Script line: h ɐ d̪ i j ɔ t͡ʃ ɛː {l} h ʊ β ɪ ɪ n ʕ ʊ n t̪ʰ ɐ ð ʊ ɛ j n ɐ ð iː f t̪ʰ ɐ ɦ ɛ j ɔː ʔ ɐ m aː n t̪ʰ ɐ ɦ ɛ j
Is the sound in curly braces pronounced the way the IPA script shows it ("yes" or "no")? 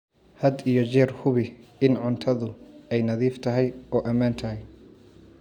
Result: no